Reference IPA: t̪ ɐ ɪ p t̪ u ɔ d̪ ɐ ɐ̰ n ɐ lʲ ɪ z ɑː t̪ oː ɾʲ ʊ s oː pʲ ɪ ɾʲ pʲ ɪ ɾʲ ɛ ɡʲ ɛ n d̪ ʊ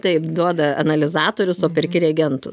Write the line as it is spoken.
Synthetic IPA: t̪ ɐ ɪ p d̪ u ɔ d̪ ɐ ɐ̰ n ɐ lʲ ɪ z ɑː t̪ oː ɾʲ ʊ s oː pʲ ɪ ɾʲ kʲ ɪ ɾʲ ɛ ɡʲ ɛ n t̪ ʊ